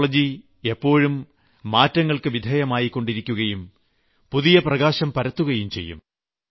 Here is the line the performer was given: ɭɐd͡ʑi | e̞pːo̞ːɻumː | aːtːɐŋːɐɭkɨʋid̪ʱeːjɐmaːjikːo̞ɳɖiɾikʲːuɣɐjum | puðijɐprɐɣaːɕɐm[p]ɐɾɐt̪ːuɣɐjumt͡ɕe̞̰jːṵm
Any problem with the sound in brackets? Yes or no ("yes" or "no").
no